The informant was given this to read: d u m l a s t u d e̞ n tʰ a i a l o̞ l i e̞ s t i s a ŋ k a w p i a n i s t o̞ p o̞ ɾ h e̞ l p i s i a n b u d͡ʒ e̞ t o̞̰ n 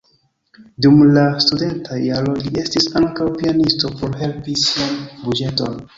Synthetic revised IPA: d u m l a s t u d e̞ n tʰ a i a l o̞ l i e̞ s t i s a ŋ k a w p i a n i s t o̞ p o̞ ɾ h e̞ l p i s i a n b u d͡ʒ e̞ t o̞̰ n